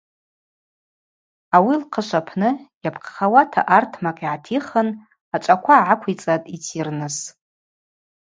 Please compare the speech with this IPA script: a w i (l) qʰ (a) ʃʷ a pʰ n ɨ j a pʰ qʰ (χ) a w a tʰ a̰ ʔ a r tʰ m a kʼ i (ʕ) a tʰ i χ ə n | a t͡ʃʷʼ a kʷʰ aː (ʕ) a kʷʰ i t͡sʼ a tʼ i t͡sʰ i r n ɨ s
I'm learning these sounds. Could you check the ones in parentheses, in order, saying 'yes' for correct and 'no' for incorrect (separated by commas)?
yes, no, yes, yes, yes